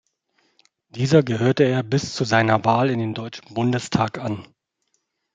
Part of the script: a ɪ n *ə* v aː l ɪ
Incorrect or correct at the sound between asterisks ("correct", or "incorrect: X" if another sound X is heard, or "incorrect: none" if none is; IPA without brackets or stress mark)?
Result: incorrect: ɐ